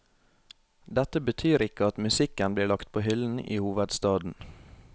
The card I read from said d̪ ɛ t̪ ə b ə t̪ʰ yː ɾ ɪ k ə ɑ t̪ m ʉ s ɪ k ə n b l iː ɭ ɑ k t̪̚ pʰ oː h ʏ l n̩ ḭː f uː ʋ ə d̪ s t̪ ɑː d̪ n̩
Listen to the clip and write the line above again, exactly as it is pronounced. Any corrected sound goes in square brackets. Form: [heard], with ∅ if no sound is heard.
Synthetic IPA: d̪ ɛ t̪ ə b ə t̪ʰ yː ɾ ɪ k ə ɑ t̪ m ʉ s ɪ k ə n b l iː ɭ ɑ k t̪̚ pʰ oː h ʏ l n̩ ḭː [h] uː ʋ ə d̪ s t̪ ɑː d̪ n̩